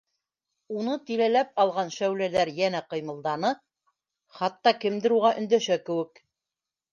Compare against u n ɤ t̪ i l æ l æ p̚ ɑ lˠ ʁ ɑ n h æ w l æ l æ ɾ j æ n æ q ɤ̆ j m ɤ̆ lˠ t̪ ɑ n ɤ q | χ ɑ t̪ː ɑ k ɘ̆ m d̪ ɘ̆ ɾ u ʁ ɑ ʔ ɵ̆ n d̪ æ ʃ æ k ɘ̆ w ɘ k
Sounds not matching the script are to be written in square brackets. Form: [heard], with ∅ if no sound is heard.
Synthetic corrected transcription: u n ɤ t̪ i l æ l æ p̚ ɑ lˠ ʁ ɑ n [ʃ] æ w l æ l æ ɾ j æ n æ q ɤ̆ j m ɤ̆ lˠ [d̪] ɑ n ɤ [∅] | χ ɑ t̪ː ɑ k ɘ̆ m d̪ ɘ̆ ɾ u ʁ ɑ ʔ ɵ̆ n d̪ æ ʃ æ k ɘ̆ w ɘ k